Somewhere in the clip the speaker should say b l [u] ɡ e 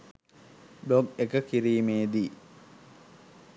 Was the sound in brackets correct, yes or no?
no